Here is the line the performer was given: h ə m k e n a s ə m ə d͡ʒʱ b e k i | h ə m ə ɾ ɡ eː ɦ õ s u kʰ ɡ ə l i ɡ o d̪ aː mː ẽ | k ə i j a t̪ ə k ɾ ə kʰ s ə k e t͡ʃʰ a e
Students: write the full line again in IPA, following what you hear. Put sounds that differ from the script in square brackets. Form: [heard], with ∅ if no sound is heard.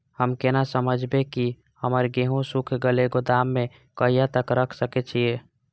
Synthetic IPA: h ə m k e n a s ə m ə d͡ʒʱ b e k i | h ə m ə ɾ ɡ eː ɦ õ s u kʰ ɡ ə l [e] ɡ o d̪ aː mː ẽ | k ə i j a t̪ ə k ɾ ə kʰ s ə k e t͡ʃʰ [i] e